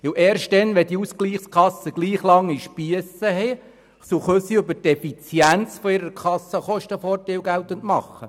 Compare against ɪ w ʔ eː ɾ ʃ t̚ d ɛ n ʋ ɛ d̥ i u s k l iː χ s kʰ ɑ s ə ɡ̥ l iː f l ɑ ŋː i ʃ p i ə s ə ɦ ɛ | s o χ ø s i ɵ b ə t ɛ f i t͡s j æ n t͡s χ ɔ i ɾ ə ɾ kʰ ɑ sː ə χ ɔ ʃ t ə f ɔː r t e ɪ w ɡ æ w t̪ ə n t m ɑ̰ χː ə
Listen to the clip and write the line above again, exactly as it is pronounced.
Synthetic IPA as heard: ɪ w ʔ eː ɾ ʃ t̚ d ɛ n ʋ ɛ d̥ i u s k l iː χ s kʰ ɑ s ə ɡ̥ l iː χ l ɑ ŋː i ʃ p i ə s ə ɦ ɛ | s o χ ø s i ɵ b ə t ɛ f i t͡s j æ n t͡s f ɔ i ɾ ə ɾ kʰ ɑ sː ə χ ɔ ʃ t ə f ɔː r t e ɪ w ɡ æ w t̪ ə n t m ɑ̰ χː ə